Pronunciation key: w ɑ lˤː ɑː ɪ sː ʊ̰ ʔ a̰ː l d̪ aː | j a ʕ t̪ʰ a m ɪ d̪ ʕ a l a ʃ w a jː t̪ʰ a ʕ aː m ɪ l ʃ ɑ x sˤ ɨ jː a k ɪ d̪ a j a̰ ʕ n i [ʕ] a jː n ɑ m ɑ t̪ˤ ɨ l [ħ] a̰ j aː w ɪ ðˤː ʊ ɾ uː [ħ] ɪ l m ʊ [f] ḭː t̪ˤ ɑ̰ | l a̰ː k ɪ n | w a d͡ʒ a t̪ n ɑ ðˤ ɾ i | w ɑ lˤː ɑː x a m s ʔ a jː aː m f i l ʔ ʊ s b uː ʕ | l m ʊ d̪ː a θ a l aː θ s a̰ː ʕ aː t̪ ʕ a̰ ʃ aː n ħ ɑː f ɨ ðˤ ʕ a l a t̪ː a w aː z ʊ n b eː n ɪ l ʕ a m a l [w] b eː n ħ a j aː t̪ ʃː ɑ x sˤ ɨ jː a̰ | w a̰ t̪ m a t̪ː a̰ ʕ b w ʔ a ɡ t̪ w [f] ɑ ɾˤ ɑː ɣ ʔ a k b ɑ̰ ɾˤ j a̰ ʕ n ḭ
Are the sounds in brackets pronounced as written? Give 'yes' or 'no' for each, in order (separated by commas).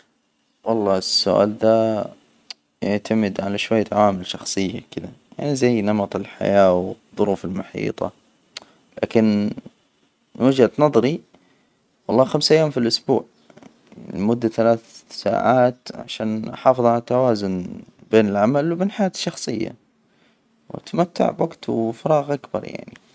no, yes, no, no, yes, yes